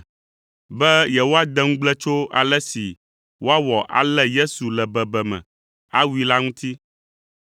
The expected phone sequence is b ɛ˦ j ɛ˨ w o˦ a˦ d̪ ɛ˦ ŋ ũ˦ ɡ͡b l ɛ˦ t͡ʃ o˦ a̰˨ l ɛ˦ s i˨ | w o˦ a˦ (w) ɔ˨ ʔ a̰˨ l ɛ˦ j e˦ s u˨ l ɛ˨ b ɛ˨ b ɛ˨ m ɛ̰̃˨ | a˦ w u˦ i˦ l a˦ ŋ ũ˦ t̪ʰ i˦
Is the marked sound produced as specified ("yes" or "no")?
yes